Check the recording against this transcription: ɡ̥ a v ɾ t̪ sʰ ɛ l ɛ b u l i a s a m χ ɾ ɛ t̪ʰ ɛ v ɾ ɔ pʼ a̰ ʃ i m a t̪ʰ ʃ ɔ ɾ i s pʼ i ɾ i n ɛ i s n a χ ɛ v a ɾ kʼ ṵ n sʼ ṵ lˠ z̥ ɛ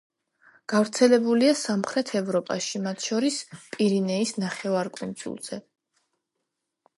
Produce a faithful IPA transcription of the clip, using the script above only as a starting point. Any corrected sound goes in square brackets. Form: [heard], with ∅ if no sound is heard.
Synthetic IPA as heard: ɡ̥ a v ɾ t̪ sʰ ɛ l ɛ b u l i a s a m χ ɾ ɛ t̪ʰ ɛ v ɾ ɔ pʼ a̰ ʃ i m a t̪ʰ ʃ ɔ ɾ i s pʼ i ɾ i n ɛ i s n a χ ɛ v a ɾ kʼ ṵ n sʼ ṵ lˠ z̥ ɛ